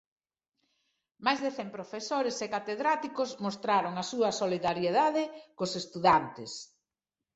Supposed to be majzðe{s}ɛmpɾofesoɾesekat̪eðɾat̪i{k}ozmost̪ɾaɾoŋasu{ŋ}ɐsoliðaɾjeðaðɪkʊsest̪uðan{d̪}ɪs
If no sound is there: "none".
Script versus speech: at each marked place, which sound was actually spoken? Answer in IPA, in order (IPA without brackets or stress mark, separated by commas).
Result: θ, k, none, t̪